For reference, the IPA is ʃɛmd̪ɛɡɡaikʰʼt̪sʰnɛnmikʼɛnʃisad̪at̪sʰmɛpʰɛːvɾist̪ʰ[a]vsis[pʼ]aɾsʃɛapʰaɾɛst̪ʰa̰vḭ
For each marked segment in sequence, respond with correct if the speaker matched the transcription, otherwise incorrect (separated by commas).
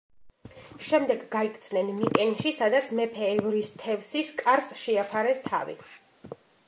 incorrect, incorrect